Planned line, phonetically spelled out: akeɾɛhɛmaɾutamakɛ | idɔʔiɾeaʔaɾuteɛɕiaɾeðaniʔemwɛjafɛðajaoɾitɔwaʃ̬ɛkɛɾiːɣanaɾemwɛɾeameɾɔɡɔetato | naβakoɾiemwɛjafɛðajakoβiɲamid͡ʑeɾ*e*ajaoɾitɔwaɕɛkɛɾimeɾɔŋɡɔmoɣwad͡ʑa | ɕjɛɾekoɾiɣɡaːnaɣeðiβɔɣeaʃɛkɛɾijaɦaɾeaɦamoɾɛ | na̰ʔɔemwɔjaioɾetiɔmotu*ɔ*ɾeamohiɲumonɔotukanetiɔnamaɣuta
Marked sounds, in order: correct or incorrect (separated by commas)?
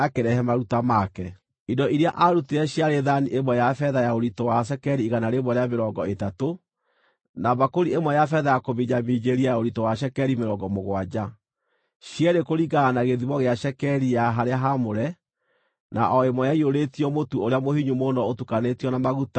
incorrect, incorrect